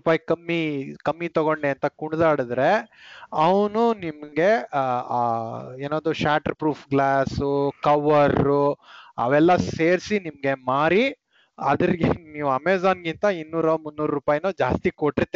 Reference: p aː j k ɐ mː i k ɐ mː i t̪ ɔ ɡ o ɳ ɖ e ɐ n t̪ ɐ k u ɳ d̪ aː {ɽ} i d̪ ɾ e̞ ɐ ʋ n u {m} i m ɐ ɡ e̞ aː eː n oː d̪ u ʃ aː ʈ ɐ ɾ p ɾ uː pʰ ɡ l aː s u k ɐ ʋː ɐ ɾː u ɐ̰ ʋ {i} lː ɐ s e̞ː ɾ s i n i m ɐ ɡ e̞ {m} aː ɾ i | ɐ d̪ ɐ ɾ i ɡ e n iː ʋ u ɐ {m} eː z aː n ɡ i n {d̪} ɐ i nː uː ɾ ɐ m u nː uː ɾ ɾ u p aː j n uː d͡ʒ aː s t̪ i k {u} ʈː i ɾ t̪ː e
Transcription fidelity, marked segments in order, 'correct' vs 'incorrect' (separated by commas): correct, incorrect, incorrect, correct, correct, incorrect, incorrect